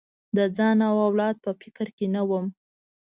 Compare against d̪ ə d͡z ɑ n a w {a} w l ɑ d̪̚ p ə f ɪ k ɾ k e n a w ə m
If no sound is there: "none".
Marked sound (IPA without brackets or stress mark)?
a